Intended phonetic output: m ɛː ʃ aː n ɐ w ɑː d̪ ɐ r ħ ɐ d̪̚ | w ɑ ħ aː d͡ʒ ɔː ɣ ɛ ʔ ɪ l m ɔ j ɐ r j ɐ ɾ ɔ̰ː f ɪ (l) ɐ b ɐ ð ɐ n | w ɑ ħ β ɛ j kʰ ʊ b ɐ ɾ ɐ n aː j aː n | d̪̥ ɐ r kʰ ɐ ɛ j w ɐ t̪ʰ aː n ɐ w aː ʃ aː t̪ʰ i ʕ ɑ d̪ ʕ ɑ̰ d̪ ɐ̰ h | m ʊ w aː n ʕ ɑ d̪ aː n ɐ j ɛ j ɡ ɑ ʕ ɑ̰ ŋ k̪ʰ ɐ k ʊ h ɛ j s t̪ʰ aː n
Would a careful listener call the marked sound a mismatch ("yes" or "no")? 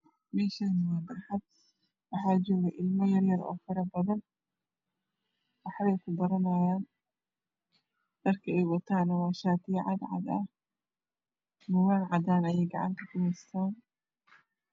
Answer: yes